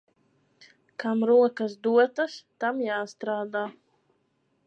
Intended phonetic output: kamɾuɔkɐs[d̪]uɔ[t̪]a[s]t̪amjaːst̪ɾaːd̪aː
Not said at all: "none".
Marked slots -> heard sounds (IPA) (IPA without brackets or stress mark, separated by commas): d̪, t̪, s